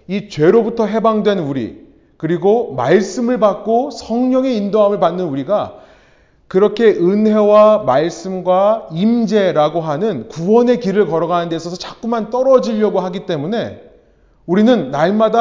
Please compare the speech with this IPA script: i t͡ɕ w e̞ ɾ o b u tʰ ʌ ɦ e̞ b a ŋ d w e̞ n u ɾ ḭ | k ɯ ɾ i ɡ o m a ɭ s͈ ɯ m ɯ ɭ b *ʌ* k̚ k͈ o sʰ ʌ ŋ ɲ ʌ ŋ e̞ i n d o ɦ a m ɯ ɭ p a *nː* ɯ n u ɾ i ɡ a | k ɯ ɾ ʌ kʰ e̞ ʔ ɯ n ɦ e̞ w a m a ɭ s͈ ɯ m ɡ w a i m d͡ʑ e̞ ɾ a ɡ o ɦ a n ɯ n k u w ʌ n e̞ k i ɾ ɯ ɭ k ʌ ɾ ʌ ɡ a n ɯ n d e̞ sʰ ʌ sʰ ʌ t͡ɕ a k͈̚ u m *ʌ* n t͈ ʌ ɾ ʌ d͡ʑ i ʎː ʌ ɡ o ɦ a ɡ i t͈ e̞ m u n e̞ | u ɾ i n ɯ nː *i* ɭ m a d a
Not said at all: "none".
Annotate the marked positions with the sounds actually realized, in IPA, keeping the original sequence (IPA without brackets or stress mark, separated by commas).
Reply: a, nː, a, a